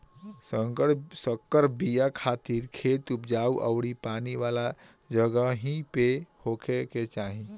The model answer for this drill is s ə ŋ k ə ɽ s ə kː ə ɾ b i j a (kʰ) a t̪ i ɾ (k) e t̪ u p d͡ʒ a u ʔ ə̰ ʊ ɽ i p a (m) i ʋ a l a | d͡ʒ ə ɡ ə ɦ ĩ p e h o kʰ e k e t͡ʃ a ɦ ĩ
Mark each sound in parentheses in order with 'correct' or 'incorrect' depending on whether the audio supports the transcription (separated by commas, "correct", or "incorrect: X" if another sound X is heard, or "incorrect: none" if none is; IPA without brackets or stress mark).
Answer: correct, incorrect: kʰ, incorrect: n